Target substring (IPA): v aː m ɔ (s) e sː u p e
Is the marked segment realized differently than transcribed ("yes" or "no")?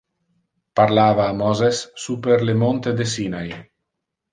yes